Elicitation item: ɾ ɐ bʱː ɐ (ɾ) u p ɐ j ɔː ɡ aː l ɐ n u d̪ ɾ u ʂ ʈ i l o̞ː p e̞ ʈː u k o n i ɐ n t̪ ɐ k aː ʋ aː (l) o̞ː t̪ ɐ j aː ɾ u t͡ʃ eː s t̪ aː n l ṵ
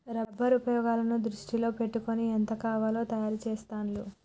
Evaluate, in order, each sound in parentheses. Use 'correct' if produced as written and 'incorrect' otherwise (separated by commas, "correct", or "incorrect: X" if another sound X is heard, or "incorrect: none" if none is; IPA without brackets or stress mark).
correct, correct